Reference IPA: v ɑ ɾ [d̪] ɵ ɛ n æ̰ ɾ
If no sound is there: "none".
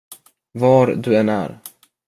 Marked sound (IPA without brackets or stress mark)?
d̪